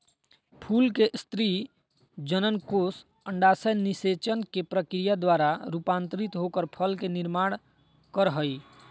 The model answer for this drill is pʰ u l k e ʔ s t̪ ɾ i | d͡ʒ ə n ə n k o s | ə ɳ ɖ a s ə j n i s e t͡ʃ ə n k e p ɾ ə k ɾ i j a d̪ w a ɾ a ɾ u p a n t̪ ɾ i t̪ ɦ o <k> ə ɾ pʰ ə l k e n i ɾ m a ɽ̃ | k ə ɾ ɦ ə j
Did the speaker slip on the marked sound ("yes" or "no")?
no